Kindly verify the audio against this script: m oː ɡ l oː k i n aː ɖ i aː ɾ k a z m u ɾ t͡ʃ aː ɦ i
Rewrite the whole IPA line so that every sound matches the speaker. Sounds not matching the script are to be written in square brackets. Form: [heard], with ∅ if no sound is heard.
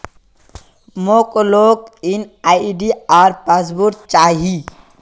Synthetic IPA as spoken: m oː [k] l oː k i n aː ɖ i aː ɾ [p] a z [b] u ɾ t͡ʃ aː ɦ i